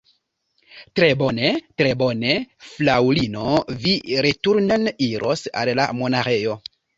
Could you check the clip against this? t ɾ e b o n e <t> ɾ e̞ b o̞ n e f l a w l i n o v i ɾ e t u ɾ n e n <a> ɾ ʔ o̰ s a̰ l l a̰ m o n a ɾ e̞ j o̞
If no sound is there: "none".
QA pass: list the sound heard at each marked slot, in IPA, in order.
t, i

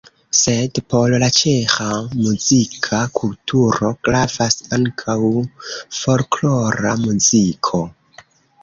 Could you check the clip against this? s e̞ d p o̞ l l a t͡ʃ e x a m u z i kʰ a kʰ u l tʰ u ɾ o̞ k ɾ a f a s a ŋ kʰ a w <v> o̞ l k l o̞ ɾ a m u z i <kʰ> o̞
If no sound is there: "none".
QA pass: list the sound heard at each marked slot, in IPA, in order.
f, kʰ

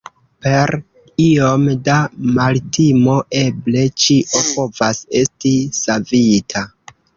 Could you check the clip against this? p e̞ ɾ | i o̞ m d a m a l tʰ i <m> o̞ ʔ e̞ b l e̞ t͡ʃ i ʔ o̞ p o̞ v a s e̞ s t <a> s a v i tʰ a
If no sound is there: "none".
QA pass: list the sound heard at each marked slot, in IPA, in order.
m, i

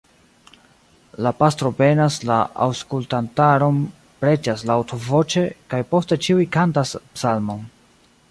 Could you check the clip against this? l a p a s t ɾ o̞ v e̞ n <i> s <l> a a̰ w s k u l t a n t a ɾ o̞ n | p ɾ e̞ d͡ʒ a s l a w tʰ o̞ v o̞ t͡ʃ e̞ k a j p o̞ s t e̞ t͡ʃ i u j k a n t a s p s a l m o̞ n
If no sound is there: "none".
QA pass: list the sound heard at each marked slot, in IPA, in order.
a, l

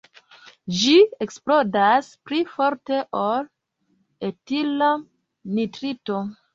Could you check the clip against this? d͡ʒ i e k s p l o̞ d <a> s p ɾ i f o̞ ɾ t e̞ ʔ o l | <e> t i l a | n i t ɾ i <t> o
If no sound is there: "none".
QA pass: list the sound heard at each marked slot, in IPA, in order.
a, e, t

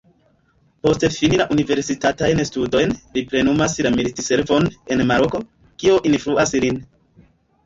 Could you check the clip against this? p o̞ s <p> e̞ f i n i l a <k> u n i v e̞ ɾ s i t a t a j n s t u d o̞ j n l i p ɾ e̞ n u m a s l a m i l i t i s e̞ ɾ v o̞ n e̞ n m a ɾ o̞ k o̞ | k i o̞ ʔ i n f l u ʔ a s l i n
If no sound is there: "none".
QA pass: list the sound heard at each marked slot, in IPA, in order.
t, ʔ

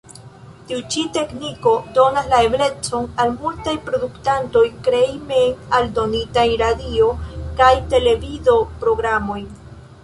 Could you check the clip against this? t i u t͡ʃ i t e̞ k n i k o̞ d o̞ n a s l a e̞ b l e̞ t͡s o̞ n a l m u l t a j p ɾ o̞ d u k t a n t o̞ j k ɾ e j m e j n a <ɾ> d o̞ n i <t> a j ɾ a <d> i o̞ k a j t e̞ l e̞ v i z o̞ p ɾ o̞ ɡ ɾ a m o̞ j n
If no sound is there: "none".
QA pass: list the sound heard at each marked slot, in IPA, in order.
l, t, d

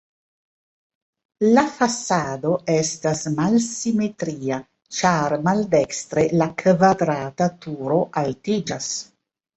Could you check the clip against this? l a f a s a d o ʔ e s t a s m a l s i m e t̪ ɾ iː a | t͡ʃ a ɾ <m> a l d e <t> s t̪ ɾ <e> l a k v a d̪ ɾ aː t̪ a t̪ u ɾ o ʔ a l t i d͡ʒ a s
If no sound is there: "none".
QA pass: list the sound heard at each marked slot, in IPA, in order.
m, k, e

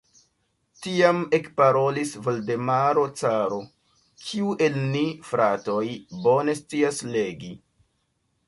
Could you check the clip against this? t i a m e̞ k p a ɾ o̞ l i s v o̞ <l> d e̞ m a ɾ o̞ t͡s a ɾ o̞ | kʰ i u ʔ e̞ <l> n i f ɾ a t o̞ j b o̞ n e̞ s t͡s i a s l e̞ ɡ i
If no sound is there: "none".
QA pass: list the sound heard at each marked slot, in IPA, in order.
l, l

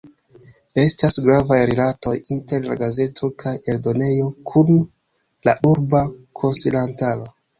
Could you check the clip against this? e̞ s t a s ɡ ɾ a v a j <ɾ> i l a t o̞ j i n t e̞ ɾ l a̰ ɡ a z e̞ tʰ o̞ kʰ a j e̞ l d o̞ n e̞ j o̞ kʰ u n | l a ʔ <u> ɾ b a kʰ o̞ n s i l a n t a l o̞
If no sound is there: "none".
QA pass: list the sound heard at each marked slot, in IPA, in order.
ɾ, u

